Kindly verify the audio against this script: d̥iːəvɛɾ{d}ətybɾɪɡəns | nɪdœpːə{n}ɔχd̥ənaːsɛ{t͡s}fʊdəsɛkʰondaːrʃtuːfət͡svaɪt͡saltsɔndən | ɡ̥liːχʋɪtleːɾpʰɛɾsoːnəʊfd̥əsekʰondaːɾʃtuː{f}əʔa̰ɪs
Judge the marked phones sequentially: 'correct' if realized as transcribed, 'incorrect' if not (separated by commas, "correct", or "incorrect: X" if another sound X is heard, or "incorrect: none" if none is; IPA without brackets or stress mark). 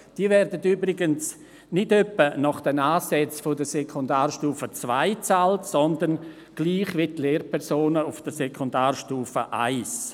correct, correct, correct, correct